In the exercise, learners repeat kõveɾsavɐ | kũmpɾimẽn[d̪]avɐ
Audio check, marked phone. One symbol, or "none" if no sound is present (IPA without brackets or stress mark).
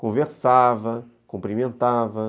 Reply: t̪